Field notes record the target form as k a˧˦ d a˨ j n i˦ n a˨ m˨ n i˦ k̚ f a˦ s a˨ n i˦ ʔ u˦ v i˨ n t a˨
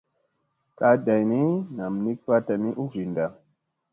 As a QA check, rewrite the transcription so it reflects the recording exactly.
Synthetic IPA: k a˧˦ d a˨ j n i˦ n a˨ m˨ n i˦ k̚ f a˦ t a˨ n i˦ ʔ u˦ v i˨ n d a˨